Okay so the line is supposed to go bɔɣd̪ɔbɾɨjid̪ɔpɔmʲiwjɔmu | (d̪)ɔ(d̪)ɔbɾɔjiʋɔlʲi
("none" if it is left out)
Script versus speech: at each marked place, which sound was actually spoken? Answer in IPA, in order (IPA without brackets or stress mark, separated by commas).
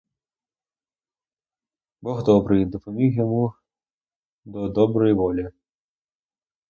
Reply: d̪, d̪